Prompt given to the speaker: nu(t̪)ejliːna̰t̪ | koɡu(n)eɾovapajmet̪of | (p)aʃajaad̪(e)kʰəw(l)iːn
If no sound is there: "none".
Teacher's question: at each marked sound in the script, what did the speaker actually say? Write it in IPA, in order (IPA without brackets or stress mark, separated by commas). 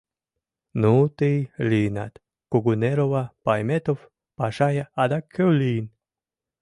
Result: t̪, n, p, a, l